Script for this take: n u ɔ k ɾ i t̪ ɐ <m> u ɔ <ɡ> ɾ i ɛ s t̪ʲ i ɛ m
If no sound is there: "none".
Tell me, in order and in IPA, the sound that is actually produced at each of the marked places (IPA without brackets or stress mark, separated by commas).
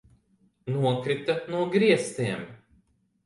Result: n, ɡ